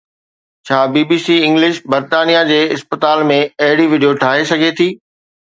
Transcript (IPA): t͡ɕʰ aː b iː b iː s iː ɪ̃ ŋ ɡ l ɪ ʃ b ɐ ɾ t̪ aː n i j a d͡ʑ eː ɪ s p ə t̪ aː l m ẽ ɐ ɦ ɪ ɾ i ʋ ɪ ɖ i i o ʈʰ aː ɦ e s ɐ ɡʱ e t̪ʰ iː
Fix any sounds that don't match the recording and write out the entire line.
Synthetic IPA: t͡ɕʰ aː b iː b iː s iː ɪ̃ ŋ ɡ l ɪ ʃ b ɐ ɾ t̪ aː n i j a d͡ʑ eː ɪ s p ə t̪ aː l m ẽ ɐ ɦ ɪ ɽ i ʋ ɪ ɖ i j o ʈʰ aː ɦ e s ɐ ɡʱ e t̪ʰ iː